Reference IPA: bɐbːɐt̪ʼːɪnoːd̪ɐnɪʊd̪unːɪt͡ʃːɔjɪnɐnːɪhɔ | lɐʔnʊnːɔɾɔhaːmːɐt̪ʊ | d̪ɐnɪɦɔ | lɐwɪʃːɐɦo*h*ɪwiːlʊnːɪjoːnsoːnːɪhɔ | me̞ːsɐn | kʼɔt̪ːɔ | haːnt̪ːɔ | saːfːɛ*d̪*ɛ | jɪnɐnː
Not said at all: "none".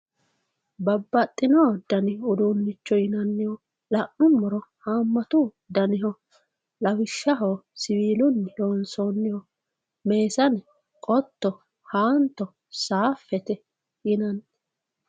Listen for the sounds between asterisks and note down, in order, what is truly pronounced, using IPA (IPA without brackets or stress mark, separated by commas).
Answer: s, t̪